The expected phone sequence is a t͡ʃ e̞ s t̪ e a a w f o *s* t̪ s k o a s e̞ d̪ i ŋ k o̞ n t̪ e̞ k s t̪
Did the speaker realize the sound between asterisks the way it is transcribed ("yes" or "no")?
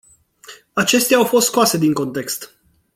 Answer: yes